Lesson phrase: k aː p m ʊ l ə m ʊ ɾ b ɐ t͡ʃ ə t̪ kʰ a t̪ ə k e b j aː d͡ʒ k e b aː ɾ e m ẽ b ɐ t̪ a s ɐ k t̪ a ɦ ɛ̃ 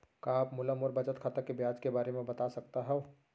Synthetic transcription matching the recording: k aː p m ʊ l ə m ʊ ɾ b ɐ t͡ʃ ə t̪ kʰ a t̪ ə k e b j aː d͡ʒ k e b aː ɾ e m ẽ b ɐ t̪ a s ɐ k t̪ a ɦ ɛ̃